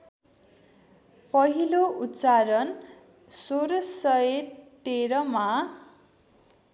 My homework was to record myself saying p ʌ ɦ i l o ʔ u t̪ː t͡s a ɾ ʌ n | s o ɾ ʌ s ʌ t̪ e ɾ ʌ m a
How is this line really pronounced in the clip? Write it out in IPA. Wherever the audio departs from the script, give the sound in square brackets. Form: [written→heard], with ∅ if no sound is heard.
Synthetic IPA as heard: p ʌ ɦ i l o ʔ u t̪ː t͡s a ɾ ʌ n | s o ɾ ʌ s ʌ t̪ e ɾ ʌ m a